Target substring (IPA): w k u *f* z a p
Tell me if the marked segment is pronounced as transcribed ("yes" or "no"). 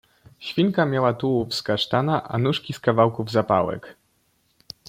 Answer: no